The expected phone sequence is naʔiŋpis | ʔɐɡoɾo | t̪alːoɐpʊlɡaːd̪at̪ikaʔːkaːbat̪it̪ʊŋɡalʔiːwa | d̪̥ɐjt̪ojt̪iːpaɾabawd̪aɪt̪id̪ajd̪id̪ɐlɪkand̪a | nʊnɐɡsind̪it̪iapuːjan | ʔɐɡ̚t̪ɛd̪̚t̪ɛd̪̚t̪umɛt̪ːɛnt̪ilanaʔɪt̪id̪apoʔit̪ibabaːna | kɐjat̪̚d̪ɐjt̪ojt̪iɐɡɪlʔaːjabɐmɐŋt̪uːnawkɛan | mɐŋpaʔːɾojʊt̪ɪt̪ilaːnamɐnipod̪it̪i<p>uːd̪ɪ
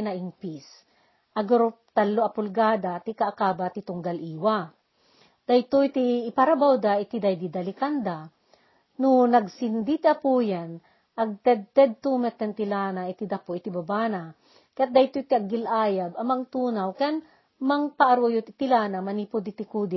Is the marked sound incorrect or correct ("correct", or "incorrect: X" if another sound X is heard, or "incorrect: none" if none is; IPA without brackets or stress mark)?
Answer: incorrect: k